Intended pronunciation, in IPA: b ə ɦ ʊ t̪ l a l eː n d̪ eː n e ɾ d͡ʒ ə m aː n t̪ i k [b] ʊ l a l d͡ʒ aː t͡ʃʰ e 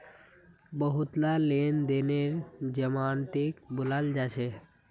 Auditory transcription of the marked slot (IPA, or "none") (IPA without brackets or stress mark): b